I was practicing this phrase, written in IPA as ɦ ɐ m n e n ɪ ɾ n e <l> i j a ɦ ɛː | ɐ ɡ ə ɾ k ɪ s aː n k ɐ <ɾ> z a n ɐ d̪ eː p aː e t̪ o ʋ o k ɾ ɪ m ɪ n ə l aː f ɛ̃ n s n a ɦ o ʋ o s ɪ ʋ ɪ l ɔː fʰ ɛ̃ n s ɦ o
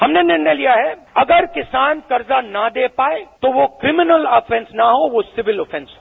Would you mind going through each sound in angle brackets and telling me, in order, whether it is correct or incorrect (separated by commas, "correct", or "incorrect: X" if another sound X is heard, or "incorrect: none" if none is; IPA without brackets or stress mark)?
correct, correct